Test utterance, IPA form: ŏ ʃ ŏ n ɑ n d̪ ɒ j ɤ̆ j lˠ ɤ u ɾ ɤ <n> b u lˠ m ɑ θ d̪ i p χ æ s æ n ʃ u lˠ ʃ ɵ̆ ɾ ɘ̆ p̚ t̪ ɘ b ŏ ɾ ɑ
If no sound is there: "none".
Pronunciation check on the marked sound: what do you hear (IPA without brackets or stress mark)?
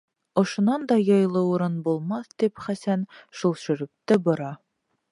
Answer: n